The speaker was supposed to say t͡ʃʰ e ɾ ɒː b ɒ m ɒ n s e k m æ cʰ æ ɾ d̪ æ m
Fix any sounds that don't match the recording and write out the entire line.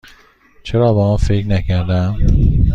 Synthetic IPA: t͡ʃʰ e ɾ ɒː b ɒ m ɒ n f e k n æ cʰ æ ɾ d̪ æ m

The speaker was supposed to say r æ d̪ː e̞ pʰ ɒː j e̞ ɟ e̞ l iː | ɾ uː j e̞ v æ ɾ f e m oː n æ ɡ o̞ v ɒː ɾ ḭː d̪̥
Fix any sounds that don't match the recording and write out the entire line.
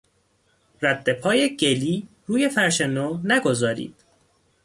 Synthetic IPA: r æ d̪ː e̞ pʰ ɒː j e̞ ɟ e̞ l iː | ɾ uː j e̞ f æ ɾ ʃ e n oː n æ ɡ o̞ z ɒː ɾ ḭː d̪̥

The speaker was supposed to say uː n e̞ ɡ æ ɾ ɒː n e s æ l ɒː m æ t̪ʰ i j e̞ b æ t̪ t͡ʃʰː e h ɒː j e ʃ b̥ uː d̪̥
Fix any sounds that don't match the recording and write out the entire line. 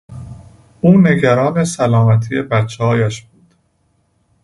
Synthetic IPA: uː n e̞ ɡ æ ɾ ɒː n e s æ l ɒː m æ t̪ʰ i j e̞ b æ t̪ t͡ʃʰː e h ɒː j æ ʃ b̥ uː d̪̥

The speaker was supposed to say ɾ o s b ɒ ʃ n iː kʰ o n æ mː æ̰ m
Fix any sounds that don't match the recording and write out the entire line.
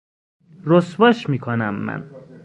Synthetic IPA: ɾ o s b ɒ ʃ m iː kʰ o n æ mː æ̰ n

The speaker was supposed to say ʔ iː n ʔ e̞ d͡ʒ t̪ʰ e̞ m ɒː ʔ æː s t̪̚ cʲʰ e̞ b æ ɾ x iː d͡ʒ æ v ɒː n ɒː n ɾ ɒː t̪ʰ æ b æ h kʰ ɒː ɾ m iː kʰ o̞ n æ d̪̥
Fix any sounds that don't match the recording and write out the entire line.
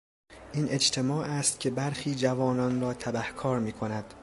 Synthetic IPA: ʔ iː n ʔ e̞ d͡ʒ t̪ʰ e̞ m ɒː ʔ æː s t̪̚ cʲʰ e̞ b æ ɾ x iː d͡ʒ æ v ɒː n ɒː n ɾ ɒː t̪ʰ æ b æ h kʰ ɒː ɾ m iː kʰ o̞ n æ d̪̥

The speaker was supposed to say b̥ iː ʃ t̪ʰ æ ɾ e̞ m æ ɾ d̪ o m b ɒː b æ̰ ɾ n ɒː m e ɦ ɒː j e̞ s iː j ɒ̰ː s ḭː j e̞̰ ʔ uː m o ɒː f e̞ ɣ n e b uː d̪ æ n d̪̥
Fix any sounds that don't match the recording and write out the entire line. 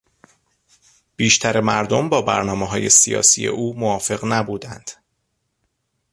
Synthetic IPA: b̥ iː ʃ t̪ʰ æ ɾ e̞ m æ ɾ d̪ o m b ɒː b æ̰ ɾ n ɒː m e ɦ ɒː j e̞ s i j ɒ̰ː s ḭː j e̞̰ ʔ uː m o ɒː f e̞ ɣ n æ b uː d̪ æ n d̪̥

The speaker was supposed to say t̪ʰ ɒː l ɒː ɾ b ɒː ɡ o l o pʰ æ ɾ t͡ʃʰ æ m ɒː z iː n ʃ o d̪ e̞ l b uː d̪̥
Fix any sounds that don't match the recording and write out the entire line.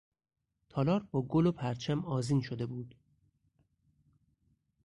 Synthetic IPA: t̪ʰ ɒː l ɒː ɾ b ɒː ɡ o l o pʰ æ ɾ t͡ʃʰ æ m ɒː z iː n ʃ o d̪ e̞ b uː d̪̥

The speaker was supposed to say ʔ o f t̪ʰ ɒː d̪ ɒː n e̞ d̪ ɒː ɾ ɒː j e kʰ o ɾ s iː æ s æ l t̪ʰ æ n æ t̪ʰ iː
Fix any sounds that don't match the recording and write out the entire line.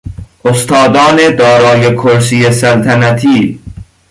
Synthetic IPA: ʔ o s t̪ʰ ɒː d̪ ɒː n e̞ d̪ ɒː ɾ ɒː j e kʰ o ɾ s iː e s æ l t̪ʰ æ n æ t̪ʰ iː

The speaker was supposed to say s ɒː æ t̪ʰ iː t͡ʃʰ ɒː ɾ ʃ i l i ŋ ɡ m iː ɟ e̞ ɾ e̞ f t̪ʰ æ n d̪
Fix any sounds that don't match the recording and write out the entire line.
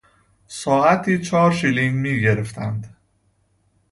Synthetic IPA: s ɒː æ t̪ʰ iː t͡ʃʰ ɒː ɾ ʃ i l i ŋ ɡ m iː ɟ e̞ ɾ e̞ f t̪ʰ æ n d̪

